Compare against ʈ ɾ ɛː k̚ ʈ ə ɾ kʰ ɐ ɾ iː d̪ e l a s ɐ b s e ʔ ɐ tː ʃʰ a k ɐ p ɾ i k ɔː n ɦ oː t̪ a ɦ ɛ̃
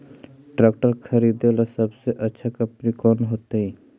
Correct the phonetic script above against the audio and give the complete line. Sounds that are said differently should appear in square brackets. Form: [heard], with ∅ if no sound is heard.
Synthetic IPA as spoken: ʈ ɾ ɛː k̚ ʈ ə ɾ kʰ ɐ ɾ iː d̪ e l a s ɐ b s e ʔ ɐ tː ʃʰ a k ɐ p ɾ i k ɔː n ɦ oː t̪ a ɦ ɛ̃